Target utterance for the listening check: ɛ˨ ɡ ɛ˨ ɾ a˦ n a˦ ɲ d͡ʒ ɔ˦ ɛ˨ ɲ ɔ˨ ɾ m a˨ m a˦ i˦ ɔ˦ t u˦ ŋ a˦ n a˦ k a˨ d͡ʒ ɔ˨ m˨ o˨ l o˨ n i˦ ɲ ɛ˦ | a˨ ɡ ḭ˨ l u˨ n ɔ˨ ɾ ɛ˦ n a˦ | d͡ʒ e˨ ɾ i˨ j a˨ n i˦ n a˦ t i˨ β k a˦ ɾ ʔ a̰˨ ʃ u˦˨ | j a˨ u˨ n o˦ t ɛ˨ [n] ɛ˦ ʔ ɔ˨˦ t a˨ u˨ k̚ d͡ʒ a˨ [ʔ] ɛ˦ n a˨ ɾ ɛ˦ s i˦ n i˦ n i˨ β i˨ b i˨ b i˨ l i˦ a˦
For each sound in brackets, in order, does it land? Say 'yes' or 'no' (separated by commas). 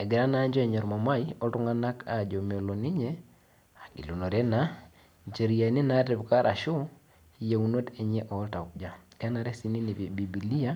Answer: no, no